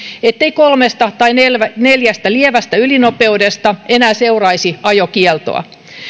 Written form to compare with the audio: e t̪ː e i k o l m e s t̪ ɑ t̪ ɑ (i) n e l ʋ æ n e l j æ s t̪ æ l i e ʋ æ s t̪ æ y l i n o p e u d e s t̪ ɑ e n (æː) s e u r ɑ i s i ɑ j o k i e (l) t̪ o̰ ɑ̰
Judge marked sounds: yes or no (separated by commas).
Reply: yes, yes, yes